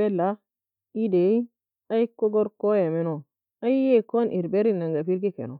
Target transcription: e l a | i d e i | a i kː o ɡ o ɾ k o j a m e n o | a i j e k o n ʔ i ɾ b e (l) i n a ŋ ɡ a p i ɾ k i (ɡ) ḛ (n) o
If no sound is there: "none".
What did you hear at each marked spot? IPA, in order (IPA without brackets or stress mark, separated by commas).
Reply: ɾ, k, n